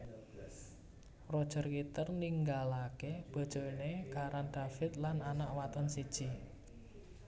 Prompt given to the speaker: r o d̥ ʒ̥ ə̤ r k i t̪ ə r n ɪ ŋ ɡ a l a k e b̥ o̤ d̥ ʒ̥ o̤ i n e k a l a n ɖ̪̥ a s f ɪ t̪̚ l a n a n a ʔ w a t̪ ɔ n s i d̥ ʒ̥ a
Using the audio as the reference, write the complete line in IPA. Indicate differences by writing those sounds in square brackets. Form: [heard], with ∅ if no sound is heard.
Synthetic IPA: r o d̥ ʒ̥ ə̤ r k i t̪ ə r n [i] ŋ ɡ a l a k e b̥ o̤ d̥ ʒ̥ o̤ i n e k a [ɾ] a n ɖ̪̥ a [∅] f ɪ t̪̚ l a n a n a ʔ w a t̪ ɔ n s i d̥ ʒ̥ [i]